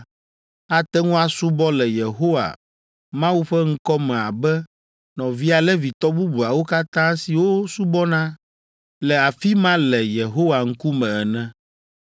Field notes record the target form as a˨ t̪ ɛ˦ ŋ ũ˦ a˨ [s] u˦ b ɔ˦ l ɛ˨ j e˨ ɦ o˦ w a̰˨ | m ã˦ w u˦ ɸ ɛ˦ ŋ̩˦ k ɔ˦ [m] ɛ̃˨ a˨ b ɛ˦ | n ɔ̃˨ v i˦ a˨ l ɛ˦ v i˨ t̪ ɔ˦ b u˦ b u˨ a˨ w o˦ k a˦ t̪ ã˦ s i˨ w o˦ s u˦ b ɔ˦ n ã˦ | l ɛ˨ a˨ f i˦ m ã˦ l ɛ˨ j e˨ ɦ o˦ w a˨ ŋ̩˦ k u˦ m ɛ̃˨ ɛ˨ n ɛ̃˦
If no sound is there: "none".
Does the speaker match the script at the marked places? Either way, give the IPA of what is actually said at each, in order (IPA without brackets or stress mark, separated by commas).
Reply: s, m